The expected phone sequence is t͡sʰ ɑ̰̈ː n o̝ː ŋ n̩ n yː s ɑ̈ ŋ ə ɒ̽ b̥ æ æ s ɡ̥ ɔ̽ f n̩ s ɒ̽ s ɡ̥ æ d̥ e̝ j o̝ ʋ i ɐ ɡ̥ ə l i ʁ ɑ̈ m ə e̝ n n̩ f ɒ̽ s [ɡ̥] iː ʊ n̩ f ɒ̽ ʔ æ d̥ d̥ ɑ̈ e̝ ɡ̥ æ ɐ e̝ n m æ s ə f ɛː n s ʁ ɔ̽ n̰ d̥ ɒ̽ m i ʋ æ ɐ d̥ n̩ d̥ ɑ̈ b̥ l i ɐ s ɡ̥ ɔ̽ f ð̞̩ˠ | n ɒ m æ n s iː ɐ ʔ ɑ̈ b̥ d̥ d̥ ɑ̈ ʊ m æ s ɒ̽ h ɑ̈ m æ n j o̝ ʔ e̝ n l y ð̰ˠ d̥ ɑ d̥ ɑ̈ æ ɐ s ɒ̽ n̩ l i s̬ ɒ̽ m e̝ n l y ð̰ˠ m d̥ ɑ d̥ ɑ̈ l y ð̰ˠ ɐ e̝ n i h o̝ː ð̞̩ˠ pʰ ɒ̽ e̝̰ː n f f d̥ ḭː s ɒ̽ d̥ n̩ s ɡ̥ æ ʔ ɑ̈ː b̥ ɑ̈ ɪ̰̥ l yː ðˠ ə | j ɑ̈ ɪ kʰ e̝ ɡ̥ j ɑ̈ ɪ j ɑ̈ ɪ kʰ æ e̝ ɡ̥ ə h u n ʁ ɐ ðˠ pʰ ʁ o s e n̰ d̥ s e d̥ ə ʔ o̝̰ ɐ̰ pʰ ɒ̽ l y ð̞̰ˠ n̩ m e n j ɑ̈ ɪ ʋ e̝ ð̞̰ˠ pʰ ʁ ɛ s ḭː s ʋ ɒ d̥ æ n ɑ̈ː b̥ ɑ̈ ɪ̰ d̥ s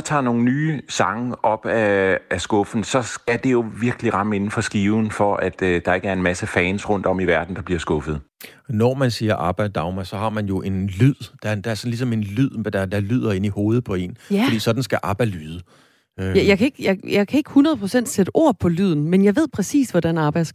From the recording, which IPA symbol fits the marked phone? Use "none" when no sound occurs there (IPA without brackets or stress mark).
ɡ̥